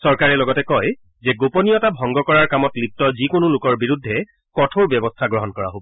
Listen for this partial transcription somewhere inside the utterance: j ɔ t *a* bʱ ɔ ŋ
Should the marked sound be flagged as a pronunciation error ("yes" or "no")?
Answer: no